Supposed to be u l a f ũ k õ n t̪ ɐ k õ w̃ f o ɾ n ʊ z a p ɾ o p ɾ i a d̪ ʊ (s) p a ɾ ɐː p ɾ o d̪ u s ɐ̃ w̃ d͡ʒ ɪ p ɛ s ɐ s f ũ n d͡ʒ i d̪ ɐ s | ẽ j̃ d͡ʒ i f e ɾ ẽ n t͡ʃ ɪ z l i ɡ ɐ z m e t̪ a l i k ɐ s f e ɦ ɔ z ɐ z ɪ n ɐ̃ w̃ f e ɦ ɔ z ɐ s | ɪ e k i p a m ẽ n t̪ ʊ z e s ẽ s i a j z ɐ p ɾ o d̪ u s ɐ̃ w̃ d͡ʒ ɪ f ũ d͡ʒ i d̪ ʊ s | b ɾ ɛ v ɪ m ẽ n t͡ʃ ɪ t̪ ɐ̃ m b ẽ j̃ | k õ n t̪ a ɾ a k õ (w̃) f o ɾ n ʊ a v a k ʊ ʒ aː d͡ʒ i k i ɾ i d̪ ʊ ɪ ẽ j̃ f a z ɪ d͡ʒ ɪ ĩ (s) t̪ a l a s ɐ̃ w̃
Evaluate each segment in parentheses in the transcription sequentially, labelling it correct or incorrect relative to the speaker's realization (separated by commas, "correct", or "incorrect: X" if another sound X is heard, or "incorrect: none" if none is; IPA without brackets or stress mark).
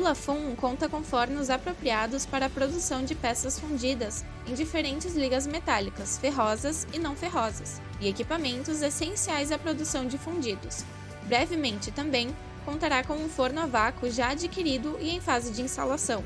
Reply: correct, incorrect: ũ, correct